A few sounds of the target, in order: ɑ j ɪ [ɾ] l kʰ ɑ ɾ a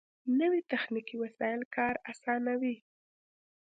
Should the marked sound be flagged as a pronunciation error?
yes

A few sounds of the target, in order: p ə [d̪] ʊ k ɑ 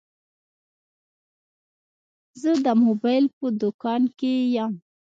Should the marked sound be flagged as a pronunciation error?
no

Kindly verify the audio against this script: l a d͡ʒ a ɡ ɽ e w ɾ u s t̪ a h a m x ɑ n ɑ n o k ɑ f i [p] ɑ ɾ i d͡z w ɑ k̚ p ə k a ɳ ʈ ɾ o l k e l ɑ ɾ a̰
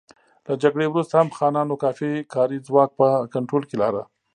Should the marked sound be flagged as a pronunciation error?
yes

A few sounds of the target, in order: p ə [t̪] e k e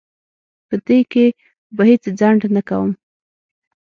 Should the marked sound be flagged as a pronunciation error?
yes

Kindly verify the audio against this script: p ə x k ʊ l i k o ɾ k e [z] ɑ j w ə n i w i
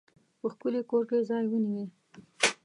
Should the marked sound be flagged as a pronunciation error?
no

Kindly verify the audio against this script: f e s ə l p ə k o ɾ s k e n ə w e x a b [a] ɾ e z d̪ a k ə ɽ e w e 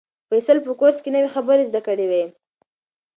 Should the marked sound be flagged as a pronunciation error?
yes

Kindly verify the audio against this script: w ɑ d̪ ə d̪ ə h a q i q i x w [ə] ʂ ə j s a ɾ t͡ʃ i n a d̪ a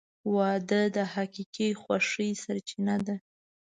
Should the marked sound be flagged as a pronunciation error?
yes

